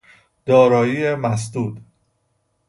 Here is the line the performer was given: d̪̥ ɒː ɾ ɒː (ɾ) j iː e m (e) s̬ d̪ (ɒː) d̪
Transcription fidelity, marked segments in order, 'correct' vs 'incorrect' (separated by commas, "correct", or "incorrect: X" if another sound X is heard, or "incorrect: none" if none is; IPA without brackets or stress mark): incorrect: none, incorrect: æ, incorrect: uː